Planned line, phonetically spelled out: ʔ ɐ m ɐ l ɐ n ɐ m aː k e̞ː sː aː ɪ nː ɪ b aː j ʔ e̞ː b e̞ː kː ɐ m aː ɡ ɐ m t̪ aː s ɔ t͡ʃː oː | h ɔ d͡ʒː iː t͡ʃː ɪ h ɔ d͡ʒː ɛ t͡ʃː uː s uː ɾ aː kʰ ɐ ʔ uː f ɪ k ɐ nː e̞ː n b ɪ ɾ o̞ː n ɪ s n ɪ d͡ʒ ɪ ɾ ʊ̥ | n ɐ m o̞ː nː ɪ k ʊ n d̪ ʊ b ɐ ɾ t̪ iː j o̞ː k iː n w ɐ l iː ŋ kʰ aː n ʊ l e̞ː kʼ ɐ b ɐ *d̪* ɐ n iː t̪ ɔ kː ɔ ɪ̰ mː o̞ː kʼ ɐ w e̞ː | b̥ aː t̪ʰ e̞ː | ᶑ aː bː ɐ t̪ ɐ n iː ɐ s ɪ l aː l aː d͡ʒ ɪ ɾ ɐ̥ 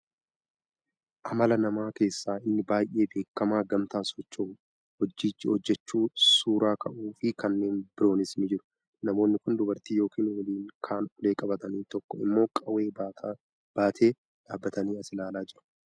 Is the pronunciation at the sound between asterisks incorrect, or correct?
incorrect